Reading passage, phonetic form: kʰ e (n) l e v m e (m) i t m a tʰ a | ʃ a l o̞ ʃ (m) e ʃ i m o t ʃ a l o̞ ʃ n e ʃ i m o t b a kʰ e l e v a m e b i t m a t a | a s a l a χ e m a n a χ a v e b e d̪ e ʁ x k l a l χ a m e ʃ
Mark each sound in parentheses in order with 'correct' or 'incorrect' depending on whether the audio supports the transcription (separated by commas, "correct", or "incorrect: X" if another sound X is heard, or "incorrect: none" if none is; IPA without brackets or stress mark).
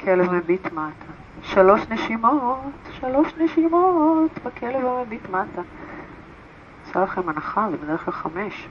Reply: incorrect: none, incorrect: b, incorrect: n